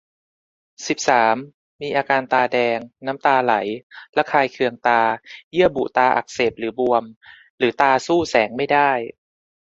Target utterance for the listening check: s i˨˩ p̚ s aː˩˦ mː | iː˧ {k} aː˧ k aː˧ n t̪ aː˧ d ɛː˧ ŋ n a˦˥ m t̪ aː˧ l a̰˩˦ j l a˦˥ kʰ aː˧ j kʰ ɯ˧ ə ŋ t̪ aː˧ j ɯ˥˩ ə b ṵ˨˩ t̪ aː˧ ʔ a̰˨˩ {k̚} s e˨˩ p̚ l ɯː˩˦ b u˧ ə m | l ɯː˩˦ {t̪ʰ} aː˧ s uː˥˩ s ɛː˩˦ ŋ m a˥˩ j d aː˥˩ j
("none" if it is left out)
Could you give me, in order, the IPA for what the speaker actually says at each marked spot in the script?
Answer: ʔ, k̚, t̪

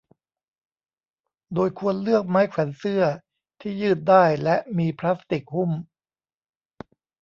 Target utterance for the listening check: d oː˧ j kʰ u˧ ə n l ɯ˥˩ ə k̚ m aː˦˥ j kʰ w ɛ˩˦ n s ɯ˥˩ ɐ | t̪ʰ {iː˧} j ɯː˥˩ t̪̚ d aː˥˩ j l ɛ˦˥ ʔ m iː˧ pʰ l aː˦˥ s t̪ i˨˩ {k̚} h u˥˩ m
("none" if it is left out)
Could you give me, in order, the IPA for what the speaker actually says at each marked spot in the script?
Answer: iː˥˩, k̚

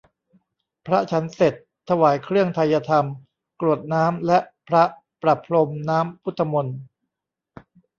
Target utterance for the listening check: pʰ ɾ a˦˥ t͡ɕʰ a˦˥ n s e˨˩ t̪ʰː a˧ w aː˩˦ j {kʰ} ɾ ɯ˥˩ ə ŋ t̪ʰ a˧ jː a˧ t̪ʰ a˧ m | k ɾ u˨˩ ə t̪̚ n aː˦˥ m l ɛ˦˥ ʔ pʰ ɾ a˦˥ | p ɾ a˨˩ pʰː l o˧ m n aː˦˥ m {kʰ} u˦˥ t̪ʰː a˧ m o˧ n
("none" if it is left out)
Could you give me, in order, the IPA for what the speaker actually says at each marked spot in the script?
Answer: kʰ, pʰ

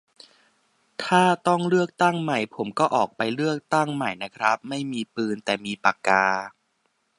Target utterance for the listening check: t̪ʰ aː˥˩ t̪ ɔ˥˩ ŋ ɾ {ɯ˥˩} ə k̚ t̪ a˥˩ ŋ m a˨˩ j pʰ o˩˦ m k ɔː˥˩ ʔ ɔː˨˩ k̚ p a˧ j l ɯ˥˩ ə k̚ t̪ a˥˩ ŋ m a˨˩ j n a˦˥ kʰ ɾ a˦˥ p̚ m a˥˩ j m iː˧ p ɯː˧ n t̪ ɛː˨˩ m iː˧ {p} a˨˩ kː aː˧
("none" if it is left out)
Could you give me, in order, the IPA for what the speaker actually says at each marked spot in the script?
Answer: ɯ˥˩, p

